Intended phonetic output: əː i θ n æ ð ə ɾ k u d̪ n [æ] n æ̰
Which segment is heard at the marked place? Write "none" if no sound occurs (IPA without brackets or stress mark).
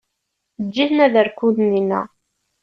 i